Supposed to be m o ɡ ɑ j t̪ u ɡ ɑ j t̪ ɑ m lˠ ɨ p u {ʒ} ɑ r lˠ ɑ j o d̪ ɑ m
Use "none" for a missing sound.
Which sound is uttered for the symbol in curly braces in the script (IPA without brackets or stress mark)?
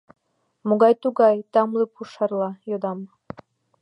ʃ